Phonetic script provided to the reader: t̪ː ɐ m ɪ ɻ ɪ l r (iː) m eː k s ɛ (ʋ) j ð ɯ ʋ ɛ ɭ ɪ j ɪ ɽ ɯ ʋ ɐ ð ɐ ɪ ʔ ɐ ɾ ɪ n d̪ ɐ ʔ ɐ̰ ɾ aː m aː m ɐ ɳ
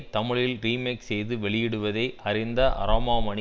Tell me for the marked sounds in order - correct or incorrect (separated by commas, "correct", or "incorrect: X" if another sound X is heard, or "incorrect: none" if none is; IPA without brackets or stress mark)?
correct, incorrect: none